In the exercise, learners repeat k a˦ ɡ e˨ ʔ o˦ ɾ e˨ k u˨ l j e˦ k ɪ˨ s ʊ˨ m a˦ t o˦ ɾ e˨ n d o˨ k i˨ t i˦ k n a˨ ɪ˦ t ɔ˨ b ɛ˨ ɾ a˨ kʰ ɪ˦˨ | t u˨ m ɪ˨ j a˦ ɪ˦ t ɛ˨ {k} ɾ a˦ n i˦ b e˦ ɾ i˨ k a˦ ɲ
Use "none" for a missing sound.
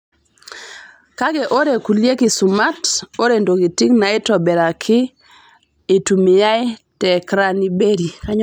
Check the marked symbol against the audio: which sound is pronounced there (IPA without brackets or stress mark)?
k